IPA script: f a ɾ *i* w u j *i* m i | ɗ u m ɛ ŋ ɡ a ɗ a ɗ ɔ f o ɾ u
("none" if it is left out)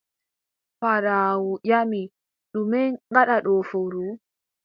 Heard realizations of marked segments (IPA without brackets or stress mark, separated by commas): a, a